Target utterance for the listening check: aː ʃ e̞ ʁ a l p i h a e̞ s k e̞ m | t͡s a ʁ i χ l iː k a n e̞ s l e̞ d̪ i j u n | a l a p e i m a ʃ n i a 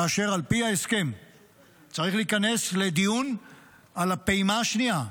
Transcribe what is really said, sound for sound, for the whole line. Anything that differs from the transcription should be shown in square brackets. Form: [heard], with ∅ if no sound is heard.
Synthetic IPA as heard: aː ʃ e̞ ʁ a l p i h a e̞ s k e̞ m | t͡s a ʁ i χ l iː k a n e̞ s l e̞ d̪ i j u n | a l a p e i m a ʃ n i a